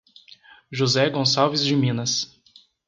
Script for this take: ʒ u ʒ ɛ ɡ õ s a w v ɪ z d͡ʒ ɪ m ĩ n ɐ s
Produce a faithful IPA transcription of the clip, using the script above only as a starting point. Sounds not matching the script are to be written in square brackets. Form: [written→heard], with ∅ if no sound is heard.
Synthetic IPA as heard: ʒ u [ʒ→z] ɛ ɡ õ s a w v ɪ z d͡ʒ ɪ m ĩ n ɐ s